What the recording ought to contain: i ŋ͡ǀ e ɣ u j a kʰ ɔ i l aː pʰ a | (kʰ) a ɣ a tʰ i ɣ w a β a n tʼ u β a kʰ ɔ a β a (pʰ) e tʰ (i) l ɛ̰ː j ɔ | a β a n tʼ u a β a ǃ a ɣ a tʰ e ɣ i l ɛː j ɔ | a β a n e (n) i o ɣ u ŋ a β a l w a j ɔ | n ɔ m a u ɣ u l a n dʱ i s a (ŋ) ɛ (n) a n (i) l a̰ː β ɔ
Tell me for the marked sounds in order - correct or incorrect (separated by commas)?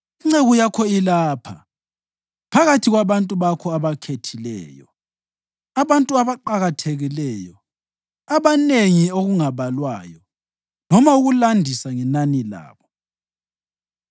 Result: incorrect, incorrect, correct, incorrect, correct, correct, correct